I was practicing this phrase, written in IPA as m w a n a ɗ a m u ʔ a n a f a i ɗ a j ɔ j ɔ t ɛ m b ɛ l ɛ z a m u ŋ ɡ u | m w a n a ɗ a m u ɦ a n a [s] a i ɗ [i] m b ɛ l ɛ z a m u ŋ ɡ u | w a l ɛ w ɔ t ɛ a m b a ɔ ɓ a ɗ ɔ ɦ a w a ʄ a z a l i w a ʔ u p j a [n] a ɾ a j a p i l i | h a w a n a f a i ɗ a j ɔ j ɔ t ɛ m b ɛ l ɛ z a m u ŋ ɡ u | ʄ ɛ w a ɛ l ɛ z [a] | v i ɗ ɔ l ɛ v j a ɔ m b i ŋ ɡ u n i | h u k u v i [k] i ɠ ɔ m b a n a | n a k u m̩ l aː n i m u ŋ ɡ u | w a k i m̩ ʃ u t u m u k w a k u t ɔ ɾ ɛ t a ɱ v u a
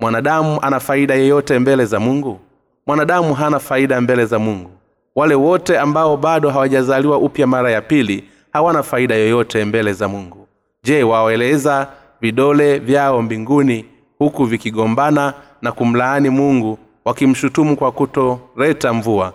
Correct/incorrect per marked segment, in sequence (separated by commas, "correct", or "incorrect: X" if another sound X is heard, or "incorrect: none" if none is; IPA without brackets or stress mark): incorrect: f, incorrect: a, incorrect: m, correct, correct